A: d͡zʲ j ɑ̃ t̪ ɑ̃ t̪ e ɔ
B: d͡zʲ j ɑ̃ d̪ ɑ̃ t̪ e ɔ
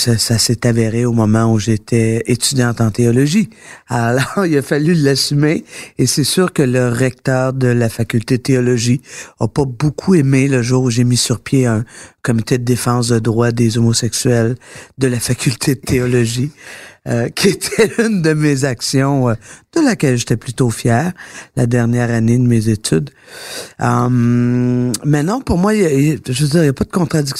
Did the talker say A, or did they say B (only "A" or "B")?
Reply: A